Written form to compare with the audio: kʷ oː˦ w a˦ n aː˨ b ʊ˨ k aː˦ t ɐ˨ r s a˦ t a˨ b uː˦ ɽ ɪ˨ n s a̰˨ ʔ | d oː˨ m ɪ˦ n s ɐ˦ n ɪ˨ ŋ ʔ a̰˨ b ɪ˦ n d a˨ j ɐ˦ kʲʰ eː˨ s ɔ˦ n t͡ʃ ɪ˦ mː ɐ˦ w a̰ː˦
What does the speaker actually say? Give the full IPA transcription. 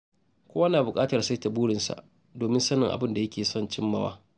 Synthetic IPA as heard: kʷ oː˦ w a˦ n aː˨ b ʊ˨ kʼ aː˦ t ɐ˨ r s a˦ t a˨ b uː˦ ɽ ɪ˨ n s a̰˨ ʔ | d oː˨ m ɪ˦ n s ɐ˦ n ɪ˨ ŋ ʔ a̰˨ b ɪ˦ n d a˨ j ɐ˦ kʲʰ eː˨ s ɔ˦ n t͡ʃ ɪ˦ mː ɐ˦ w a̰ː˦

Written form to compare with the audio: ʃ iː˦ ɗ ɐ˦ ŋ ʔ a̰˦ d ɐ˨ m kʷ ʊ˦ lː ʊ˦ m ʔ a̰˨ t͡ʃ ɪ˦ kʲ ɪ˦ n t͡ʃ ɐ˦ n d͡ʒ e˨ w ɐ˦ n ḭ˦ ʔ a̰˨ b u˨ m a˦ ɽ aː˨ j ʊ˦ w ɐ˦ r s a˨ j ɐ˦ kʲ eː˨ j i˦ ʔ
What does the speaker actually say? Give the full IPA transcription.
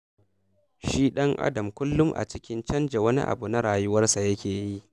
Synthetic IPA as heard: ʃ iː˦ ɗ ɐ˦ ŋ ʔ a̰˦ d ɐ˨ m kʷ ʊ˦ lː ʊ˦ m ʔ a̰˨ t͡ʃ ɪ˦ kʲ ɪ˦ n t͡ʃ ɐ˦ n d͡ʒ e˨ w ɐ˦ n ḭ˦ ʔ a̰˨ b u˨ n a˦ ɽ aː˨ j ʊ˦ w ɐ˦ r s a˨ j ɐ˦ kʲ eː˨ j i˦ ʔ

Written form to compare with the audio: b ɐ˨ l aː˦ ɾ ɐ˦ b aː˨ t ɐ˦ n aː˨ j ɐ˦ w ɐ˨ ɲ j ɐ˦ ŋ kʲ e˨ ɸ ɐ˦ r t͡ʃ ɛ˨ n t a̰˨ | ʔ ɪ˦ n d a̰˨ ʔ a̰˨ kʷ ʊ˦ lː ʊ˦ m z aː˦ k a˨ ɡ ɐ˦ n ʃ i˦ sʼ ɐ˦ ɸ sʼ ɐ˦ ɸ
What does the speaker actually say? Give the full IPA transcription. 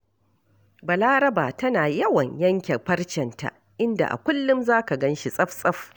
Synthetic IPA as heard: b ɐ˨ l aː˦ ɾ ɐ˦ b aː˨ t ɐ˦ n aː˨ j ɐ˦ w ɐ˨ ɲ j ɐ˦ ŋ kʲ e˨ ɸ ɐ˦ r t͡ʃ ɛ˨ n t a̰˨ | ʔ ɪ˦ n d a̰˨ ʔ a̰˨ kʷ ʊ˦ lː ʊ˦ m z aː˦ k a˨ ɡ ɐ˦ n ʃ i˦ sʼ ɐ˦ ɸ sʼ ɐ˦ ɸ

